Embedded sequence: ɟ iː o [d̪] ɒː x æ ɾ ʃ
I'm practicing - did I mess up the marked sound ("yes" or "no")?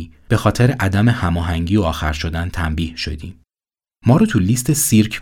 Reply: yes